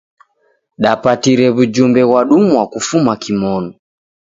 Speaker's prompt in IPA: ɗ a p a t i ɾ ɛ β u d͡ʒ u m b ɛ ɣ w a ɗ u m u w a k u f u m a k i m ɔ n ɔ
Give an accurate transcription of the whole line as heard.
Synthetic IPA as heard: ɗ a p a t i ɾ ɛ β u d͡ʒ u m b ɛ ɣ w a ɗ u m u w a k u f u m a k i m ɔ n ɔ